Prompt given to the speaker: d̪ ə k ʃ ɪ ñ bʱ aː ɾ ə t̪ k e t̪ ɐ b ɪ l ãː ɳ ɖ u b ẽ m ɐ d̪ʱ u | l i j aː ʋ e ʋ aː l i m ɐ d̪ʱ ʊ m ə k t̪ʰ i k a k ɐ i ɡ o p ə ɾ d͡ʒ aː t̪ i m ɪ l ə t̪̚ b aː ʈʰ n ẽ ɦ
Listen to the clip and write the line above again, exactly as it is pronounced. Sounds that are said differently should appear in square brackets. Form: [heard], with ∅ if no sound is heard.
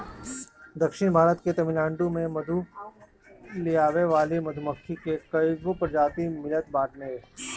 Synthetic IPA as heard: d̪ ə k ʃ ɪ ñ bʱ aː ɾ ə t̪ k e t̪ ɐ [m] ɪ l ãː ɳ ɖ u [m] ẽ m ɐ d̪ʱ u | l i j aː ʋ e ʋ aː l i m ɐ d̪ʱ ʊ m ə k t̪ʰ i k [e] k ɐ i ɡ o p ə ɾ d͡ʒ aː t̪ i m ɪ l ə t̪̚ b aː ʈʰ n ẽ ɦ

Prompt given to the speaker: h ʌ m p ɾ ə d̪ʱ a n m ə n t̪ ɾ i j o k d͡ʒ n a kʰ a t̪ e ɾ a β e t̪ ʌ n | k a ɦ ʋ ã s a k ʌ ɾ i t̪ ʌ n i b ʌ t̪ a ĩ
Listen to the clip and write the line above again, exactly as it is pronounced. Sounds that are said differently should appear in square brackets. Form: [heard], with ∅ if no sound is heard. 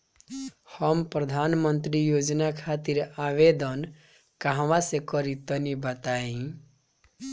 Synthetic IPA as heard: h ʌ m p ɾ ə d̪ʱ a n m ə n t̪ ɾ i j o [∅] d͡ʒ n a kʰ a t̪ [i] ɾ a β e [d̪] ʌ n | k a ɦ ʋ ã s [e] k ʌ ɾ i t̪ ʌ n i b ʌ t̪ a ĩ

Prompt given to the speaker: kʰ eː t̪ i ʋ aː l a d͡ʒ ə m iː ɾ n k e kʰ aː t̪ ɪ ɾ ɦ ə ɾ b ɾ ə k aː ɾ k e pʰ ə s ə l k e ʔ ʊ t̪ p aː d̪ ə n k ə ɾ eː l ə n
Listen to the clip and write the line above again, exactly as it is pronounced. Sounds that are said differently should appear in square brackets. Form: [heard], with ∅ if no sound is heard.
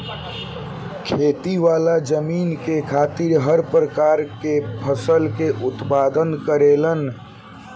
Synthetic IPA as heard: kʰ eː t̪ i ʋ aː l a d͡ʒ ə m iː [∅] n k e kʰ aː t̪ ɪ ɾ ɦ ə ɾ [p] ɾ ə k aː ɾ k e pʰ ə s ə l k e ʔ ʊ t̪ p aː d̪ ə n k ə ɾ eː l ə n

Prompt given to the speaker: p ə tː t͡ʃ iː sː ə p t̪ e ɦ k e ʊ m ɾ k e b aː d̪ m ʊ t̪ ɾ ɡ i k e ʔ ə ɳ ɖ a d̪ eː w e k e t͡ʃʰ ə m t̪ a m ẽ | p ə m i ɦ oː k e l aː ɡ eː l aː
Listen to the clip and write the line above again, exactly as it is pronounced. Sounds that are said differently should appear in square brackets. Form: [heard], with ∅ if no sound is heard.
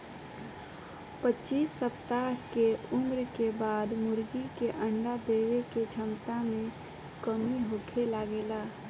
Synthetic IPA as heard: p ə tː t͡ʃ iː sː ə p t̪ [a] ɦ k e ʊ m ɾ k e b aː d̪ m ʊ [∅] ɾ ɡ i k e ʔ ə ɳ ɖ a d̪ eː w e k e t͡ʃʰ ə m t̪ a m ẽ | [k] ə m i ɦ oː [kʰ] e l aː ɡ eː l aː

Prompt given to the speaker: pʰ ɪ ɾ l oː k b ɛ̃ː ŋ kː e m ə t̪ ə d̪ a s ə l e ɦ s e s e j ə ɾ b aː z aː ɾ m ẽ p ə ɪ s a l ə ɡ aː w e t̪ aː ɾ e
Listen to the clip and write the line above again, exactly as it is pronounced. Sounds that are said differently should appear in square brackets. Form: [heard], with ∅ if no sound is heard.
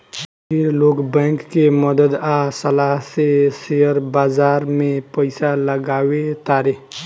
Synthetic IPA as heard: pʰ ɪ ɾ l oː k b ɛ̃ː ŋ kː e m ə [d̪] ə d̪ a s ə l [a] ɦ s e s e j ə ɾ b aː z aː ɾ m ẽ p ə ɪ s a l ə ɡ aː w e t̪ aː ɾ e

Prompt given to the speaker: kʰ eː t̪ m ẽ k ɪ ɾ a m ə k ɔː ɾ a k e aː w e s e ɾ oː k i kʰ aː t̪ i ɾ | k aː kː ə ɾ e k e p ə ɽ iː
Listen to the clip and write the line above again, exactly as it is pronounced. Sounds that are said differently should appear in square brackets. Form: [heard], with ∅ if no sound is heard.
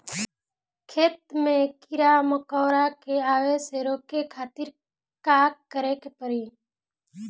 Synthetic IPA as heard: kʰ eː t̪ m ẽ k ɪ ɾ a m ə k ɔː ɾ a k e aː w e s e ɾ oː k [e] kʰ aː t̪ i ɾ | k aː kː ə ɾ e k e p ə [ɾ] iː

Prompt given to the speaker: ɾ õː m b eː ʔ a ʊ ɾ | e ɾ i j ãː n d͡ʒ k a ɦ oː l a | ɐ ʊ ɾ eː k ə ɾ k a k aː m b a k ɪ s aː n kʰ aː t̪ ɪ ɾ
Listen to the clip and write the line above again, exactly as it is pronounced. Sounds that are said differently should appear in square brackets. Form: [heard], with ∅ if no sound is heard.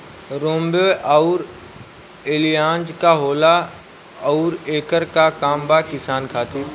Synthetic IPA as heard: ɾ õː m b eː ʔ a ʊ ɾ | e [l] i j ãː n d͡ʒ k a ɦ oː l a | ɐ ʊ ɾ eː k ə ɾ k a k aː m b a k ɪ s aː n kʰ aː t̪ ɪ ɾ

